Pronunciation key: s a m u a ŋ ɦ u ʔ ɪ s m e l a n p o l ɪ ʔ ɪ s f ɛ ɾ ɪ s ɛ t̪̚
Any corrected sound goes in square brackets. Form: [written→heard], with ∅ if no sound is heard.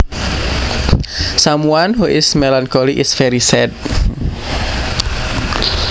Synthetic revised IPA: s a m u a [ŋ→n] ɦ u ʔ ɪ s m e l a n [p→k] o l [ɪ→i] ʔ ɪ s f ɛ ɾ [ɪ→i] s ɛ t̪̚